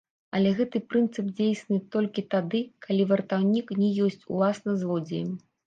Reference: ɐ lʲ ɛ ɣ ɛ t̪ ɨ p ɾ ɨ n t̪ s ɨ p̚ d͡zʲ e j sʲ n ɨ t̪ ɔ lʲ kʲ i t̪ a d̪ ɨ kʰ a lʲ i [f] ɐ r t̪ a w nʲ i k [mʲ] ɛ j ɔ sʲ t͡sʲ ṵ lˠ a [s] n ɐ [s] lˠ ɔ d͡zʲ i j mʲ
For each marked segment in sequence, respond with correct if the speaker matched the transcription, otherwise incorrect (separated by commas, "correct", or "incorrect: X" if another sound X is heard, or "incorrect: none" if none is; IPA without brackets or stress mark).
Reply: incorrect: v, incorrect: nʲ, correct, incorrect: z